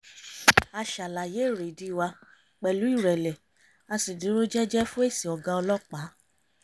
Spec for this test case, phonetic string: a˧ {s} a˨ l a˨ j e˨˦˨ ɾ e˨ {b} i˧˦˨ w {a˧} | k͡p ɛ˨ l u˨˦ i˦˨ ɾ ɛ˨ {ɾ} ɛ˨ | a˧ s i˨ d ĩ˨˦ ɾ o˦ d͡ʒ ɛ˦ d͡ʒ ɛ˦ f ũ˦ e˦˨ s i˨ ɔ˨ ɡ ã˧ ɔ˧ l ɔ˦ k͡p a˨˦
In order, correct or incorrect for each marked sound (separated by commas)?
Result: incorrect, incorrect, correct, incorrect